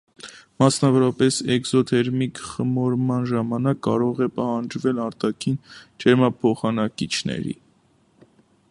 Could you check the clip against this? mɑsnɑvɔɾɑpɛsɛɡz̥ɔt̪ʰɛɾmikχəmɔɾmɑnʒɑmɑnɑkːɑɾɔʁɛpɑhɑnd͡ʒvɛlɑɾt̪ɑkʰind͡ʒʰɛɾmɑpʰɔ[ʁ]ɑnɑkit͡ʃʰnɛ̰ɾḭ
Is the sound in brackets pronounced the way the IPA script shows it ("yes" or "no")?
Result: no